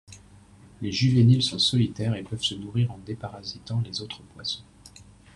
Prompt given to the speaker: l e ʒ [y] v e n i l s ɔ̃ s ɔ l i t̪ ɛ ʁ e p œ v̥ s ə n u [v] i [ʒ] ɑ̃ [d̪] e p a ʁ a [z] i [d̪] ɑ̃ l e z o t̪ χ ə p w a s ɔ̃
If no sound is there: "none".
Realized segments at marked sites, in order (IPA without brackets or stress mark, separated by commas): y, ʁ, ʁ, d̪, z, t̪